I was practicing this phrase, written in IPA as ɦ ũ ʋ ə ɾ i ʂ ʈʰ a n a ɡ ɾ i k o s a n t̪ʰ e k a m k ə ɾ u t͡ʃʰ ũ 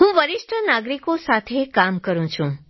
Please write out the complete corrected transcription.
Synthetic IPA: ɦ ũ ʋ ə ɾ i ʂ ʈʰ ə n a ɡ ɾ i k o s a t̪ʰ e k a m k ə ɾ ũ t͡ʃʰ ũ

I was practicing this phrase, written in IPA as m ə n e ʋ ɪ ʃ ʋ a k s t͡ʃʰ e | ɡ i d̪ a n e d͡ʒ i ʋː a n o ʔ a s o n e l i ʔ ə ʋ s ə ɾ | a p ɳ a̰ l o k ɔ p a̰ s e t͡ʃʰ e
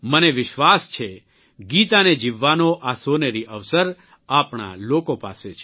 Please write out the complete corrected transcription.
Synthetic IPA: m ə n e ʋ ɪ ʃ ʋ a s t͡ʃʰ e | ɡ i t̪ a n e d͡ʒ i ʋː a n o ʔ a s o n e ɾ i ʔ ə ʋ s ə ɾ | a p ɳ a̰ l o k o p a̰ s e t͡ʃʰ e

